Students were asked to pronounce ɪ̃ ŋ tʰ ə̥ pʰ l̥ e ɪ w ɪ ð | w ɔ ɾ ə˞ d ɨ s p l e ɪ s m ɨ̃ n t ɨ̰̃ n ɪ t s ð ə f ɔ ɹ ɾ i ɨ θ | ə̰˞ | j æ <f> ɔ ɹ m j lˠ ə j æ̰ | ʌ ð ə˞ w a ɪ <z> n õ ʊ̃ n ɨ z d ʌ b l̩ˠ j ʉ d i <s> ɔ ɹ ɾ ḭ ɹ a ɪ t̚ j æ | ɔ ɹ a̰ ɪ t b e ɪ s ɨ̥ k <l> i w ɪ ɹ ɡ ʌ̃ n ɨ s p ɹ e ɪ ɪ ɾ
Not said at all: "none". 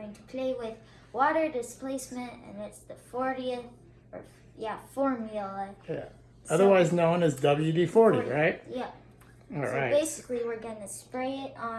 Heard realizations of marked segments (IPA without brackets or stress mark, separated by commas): f, z, f, l